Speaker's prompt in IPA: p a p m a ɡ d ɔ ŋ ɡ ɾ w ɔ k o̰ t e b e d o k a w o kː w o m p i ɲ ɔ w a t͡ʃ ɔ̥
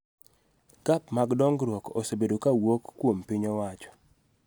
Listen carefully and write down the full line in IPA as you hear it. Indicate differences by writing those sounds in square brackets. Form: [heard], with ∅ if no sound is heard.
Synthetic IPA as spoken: [k] a p m a ɡ d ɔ ŋ ɡ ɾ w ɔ k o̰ [s] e b e d o k a w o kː w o m p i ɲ ɔ w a t͡ʃ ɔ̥